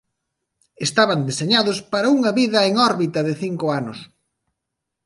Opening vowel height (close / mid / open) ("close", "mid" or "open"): mid